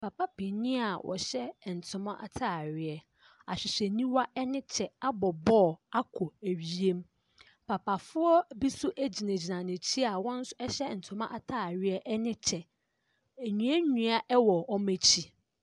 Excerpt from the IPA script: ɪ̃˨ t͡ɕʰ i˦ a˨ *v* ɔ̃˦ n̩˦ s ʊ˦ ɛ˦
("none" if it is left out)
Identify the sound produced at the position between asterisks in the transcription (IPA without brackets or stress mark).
w